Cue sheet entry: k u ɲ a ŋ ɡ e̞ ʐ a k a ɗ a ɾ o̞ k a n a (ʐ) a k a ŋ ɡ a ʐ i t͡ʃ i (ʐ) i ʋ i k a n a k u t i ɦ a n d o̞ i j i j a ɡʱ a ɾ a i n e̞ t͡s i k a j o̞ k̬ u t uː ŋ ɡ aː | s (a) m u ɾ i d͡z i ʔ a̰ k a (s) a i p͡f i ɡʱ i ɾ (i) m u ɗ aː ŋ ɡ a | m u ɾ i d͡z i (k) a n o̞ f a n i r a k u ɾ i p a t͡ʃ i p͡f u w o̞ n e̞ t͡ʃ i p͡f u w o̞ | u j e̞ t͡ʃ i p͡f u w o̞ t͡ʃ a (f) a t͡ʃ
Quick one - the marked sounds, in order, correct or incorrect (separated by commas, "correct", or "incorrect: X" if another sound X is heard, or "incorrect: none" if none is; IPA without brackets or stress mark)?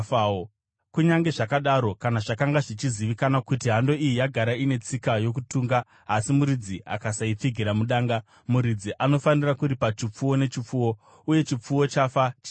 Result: correct, incorrect: z, incorrect: i, correct, incorrect: a, incorrect: ʔ, correct